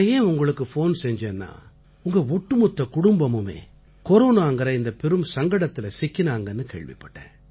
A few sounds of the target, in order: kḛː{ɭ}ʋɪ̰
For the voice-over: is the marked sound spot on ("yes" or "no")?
yes